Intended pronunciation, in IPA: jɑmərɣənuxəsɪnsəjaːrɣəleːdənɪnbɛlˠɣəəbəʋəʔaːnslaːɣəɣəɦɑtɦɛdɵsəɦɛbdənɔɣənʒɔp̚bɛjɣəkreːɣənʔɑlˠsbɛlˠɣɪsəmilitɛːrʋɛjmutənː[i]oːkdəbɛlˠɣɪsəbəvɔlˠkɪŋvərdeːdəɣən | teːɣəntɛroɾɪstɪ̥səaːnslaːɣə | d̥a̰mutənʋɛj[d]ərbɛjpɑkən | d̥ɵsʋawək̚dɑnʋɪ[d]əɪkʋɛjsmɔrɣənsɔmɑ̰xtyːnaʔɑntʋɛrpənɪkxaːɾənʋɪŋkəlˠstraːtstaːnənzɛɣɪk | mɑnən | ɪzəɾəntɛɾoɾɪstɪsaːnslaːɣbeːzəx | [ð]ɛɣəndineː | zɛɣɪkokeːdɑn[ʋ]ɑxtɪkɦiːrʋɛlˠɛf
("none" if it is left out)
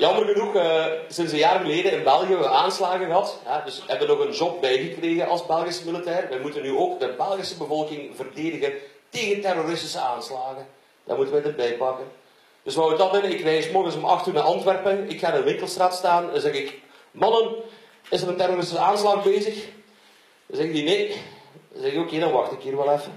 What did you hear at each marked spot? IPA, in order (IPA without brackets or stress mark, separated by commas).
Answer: y, d, n, z, ʋ